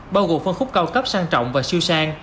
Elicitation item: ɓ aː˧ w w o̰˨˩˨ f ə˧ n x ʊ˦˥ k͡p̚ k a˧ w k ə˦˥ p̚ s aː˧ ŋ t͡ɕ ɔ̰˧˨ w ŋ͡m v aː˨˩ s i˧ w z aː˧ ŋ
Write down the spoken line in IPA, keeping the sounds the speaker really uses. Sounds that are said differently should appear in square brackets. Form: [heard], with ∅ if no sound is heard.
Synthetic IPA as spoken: ɓ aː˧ w [ɣ] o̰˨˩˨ f ə˧ n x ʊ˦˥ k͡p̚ k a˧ w k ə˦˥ p̚ s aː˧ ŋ t͡ɕ ɔ̰˧˨ w ŋ͡m v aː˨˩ s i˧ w [s] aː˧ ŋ